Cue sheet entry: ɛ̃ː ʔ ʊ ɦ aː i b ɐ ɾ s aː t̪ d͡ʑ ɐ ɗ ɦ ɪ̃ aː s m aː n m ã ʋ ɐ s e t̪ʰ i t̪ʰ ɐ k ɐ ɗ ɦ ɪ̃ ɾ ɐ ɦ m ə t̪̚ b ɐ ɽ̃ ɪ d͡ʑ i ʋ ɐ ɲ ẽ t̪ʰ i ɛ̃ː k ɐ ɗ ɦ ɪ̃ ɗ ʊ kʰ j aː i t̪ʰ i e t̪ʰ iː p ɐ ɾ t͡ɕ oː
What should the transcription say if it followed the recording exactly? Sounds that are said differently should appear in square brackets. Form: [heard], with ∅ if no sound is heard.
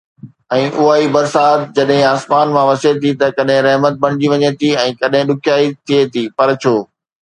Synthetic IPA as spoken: ɛ̃ː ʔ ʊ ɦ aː i b ɐ ɾ s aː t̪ d͡ʑ ɐ ɗ ɦ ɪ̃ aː s m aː n m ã ʋ ɐ s e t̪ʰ i [t̪] ɐ k ɐ ɗ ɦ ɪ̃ ɾ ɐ ɦ m ə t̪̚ b ɐ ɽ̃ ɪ d͡ʑ i ʋ ɐ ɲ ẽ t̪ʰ i ɛ̃ː k ɐ ɗ ɦ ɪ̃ ɗ ʊ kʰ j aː i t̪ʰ i e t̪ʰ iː p ɐ ɾ [t͡ɕʰ] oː